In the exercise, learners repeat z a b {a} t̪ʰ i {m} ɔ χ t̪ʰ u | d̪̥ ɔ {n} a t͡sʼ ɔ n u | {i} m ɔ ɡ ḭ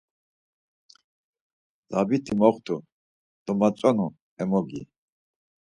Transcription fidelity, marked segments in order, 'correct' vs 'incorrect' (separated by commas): incorrect, correct, incorrect, incorrect